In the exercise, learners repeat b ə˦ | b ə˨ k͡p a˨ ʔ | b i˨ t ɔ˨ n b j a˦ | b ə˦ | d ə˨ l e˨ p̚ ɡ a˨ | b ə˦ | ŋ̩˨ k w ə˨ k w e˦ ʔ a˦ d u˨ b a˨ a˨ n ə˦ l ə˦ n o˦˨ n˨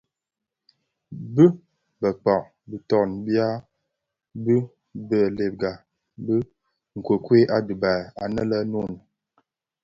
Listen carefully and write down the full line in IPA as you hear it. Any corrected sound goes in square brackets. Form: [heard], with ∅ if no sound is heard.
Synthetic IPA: b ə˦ | b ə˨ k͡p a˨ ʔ | b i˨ t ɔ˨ n b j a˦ | b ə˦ | [b] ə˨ l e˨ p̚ ɡ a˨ | b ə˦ | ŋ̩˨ k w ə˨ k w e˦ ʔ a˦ d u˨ b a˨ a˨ n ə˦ l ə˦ n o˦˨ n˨